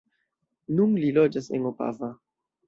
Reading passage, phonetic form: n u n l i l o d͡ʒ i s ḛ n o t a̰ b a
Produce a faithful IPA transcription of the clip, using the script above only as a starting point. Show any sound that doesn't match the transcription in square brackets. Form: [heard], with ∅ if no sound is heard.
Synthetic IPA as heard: n u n l i l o d͡ʒ [a] s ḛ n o [p] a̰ [v] a